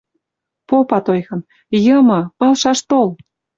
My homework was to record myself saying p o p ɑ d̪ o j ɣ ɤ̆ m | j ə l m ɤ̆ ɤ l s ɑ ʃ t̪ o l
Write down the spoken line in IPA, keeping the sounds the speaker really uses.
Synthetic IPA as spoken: p o p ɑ t̪ o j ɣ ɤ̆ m | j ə m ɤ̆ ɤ l ʃ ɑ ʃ t̪ o l

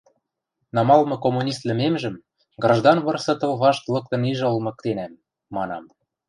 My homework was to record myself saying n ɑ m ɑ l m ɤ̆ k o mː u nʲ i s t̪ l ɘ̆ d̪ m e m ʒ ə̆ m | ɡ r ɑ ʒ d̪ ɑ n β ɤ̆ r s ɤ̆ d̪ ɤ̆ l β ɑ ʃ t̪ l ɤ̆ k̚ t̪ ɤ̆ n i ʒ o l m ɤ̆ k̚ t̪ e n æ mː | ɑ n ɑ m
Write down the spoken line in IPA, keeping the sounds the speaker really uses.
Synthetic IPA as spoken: n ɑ m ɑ l m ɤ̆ k o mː u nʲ i s t̪ l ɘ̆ m e m ʒ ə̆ m | ɡ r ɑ ʒ d̪ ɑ n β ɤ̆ r s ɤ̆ t̪ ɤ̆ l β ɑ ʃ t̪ l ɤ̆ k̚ t̪ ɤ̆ n i ʒ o l m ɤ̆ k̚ t̪ e n æ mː | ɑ n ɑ m

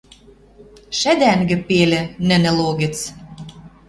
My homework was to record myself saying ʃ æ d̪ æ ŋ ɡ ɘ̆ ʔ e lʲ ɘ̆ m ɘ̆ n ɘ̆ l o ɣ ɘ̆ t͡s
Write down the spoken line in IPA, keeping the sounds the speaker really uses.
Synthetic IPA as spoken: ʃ æ d̪ æ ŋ ɡ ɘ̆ p e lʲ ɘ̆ n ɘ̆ n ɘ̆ l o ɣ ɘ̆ t͡s

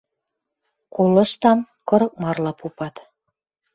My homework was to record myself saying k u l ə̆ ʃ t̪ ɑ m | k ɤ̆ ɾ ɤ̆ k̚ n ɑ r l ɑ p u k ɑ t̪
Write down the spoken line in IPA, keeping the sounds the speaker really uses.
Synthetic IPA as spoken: k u l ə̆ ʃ t̪ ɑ m | k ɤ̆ ɾ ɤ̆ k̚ m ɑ r l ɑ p u p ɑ t̪

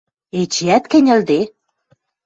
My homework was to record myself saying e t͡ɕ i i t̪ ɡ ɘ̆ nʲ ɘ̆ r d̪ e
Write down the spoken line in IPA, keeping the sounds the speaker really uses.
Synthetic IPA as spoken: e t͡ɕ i æ t̪ k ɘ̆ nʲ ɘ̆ l d̪ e

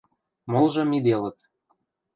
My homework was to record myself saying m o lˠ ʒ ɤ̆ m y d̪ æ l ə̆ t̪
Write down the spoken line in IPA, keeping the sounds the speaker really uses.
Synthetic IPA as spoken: m o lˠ ʒ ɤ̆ m i d̪ e l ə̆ t̪

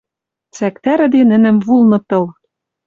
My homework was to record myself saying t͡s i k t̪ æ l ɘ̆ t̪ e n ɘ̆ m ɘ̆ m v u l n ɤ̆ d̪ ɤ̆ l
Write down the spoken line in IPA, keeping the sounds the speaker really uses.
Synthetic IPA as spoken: t͡s æ k t̪ æ ɾ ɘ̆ d̪ e n ɘ̆ n ɘ̆ m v u l n ɤ̆ t̪ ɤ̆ l

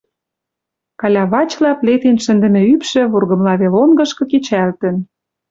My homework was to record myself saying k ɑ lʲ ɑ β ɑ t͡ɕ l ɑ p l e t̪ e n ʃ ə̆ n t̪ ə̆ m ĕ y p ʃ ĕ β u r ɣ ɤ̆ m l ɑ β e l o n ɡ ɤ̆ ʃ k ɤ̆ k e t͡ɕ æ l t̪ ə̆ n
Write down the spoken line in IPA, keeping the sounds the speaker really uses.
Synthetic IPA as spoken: k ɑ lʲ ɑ β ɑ t͡ɕ l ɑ p l e t̪ e n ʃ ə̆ n d̪ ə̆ m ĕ y p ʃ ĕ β u r ɣ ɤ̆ m l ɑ β e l o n ɡ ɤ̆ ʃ k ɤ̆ k e t͡ɕ æ l t̪ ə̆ n

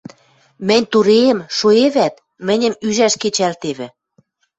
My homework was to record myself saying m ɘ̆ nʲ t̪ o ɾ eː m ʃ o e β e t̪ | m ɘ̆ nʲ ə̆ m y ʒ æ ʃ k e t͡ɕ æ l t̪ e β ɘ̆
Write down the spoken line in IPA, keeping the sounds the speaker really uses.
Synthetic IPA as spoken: m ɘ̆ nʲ t̪ u ɾ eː m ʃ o e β æ t̪ | m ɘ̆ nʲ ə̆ m y ʒ æ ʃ k e t͡ɕ æ l t̪ e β ɘ̆

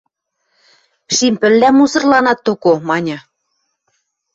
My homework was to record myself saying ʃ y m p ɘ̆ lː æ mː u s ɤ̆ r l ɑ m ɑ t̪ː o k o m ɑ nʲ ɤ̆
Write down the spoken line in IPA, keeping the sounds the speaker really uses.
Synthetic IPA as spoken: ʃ i m p ɘ̆ lː æ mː u s ɤ̆ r l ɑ n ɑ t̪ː o k o m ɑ nʲ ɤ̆

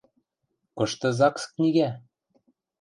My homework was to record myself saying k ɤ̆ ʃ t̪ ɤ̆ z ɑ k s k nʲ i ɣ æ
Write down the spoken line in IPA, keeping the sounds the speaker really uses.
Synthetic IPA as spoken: k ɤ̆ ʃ t̪ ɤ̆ z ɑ k s k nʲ i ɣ æ

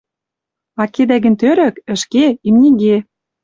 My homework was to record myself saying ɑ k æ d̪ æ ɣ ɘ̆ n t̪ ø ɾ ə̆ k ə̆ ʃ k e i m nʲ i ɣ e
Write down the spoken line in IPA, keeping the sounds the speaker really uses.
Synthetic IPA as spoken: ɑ k e d̪ æ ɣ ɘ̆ n t̪ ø ɾ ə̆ k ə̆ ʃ k e i m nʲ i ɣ e

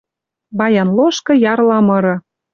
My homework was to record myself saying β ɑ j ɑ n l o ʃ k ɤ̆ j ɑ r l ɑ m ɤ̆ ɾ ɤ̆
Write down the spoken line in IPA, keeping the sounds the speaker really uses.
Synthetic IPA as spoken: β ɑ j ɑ n l o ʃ k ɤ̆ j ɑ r l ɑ m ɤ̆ ɾ ɤ̆

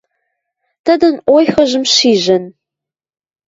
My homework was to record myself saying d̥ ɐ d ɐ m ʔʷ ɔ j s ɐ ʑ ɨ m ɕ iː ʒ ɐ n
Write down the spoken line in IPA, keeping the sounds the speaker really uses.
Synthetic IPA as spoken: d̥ ɐ d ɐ n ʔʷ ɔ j x ɐ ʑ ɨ m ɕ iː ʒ ɐ n

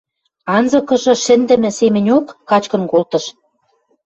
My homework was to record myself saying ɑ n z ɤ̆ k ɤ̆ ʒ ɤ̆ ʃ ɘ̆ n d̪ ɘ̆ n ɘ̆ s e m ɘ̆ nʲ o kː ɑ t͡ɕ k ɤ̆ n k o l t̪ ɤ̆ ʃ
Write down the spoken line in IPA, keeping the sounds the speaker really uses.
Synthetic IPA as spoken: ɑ n z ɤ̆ k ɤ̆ ʒ ɤ̆ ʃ ɘ̆ n d̪ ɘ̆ m ɘ̆ s e m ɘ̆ nʲ o kː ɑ t͡ɕ k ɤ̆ n k o l t̪ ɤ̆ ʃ

